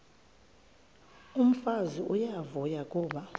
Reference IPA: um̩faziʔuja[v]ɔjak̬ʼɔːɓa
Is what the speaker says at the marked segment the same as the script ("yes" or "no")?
yes